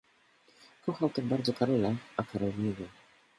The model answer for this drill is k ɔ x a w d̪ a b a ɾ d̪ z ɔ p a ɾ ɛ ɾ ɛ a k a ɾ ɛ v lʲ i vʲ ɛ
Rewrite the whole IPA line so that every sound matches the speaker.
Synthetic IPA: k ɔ x a w t̪ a b a ɾ d̪ z ɔ k a ɾ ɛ l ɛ a k a ɾ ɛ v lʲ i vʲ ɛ

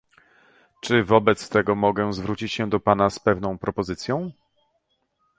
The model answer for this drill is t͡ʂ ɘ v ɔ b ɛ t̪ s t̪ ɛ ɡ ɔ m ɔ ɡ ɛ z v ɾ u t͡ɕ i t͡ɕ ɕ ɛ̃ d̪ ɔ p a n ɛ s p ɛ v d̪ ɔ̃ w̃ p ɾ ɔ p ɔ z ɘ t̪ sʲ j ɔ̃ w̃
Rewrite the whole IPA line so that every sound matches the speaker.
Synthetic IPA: t͡ʂ ɘ v ɔ b ɛ t̪ s t̪ ɛ ɡ ɔ m ɔ ɡ ɛ z v ɾ u t͡ɕ i t͡ɕ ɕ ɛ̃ d̪ ɔ p a n a s p ɛ v n̪ ɔ̃ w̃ p ɾ ɔ p ɔ z ɘ t̪ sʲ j ɔ̃ w̃

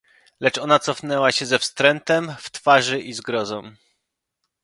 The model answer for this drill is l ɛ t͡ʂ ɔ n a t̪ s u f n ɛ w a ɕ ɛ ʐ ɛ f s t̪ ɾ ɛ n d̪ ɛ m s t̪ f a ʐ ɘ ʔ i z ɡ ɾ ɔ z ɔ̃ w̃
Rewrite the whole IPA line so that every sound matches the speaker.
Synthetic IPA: l ɛ t͡ʂ ɔ n a t̪ s ɔ f n ɛ w a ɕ ɛ z ɛ f s t̪ ɾ ɛ n t̪ ɛ m f t̪ f a ʐ ɘ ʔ i z ɡ ɾ ɔ z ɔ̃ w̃

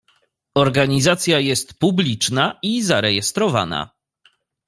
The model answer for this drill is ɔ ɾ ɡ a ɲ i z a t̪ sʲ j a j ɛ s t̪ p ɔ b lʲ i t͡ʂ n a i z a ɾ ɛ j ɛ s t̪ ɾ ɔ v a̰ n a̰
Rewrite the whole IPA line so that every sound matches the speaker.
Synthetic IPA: ɔ ɾ ɡ a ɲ i z a t̪ sʲ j a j ɛ s t̪ p u b lʲ i t͡ʂ n a i z a ɾ ɛ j ɛ s t̪ ɾ ɔ v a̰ n a̰

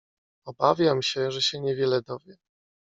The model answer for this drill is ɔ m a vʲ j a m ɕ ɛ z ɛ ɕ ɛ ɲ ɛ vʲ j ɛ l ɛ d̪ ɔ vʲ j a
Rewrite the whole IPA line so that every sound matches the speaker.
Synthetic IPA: ɔ b a vʲ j a m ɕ ɛ ʐ ɛ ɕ ɛ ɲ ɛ vʲ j ɛ l ɛ d̪ ɔ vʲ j ɛ

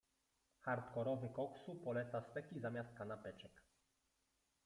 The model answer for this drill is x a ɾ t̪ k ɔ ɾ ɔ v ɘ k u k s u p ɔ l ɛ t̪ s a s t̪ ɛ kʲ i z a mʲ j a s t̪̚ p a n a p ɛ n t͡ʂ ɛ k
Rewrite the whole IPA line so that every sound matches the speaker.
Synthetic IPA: x a ɾ t̪ k ɔ ɾ ɔ v ɘ k ɔ k s u p ɔ l ɛ t̪ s a s t̪ ɛ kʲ i z a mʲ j a s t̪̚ k a n a p ɛ t͡ʂ ɛ k

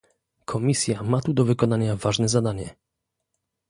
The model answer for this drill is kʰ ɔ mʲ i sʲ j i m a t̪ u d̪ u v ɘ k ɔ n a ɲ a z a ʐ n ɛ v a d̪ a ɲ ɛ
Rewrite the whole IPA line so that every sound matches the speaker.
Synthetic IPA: kʰ ɔ mʲ i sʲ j a m a t̪ u d̪ ɔ v ɘ k ɔ n a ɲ a v a ʐ n ɛ z a d̪ a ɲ ɛ

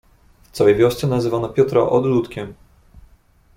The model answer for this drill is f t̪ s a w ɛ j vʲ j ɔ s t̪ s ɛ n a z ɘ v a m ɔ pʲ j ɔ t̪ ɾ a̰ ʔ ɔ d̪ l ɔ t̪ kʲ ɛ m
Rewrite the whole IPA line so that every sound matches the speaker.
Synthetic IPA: f t̪ s a w ɛ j vʲ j ɔ s t̪ s ɛ n a z ɘ v a n ɔ pʲ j ɔ t̪ ɾ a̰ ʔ ɔ d̪ l u t̪ kʲ ɛ m

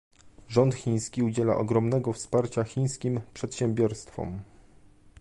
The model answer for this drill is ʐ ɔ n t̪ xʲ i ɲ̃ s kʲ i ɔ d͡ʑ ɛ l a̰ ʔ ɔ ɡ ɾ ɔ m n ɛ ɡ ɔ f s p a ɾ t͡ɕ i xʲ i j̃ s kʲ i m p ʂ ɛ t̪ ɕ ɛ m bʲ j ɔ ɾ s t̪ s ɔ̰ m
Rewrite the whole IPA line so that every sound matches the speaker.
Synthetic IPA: ʐ ɔ n t̪ xʲ i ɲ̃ s kʲ i u d͡ʑ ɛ l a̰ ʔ ɔ ɡ ɾ ɔ m n ɛ ɡ ɔ f s p a ɾ t͡ɕ a xʲ i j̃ s kʲ i m p ʂ ɛ t̪ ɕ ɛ m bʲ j ɔ ɾ s t̪ f ɔ̰ m

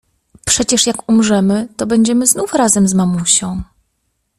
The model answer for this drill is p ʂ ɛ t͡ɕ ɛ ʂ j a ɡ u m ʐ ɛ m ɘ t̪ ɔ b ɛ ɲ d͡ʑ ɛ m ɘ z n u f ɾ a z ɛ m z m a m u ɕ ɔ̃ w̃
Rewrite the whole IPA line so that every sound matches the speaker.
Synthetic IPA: p ʂ ɛ t͡ɕ ɛ ʂ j a k u m ʐ ɛ m ɘ t̪ ɔ b ɛ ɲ d͡ʑ ɛ m ɘ z n u f ɾ a z ɛ m z m a m u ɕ ɔ̃ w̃

